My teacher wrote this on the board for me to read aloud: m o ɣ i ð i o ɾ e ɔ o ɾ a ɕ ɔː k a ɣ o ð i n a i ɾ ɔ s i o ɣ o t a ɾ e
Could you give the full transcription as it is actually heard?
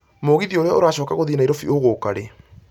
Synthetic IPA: m o ɣ i ð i o ɾ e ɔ o ɾ a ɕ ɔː k a ɣ o ð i n a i ɾ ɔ f i o ɣ o k a ɾ e